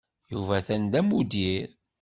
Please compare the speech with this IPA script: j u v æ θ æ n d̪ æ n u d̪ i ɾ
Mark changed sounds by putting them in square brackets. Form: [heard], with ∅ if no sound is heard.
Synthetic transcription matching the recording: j u v æ θ æ n d̪ æ [m] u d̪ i ɾ